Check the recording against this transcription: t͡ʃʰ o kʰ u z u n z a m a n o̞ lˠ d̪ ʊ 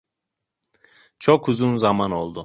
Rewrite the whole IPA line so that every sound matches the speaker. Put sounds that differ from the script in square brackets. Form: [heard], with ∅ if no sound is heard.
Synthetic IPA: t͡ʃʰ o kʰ u z u n z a m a n o̞ lˠ d̪ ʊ